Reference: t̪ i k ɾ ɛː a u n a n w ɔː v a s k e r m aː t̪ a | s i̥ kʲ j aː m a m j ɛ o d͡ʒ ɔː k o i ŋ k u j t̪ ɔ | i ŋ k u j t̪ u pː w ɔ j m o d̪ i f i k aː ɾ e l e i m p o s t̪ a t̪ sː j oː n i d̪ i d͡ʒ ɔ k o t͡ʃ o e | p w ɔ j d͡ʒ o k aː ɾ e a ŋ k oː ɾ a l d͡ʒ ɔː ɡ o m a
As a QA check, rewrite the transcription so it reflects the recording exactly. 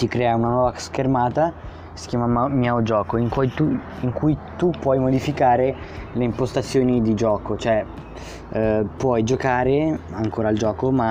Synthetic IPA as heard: t̪ i k ɾ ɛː a u n a n w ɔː v a s k e r m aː t̪ a | s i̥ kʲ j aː m a m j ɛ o d͡ʒ ɔː k o i ŋ k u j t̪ u | i ŋ k u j t̪ u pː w ɔ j m o d̪ i f i k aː ɾ e l e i m p o s t̪ a t̪ sː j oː n i d̪ i d͡ʒ ɔː k o t͡ʃ o ɛ | p w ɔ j d͡ʒ o k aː ɾ e a ŋ k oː ɾ a l d͡ʒ ɔː k o m a